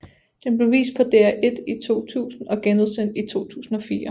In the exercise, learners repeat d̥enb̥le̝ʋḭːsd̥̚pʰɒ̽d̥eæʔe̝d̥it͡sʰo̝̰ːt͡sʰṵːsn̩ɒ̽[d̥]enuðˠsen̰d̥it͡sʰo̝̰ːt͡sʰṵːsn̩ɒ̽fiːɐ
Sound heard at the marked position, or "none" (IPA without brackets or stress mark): ɡ̥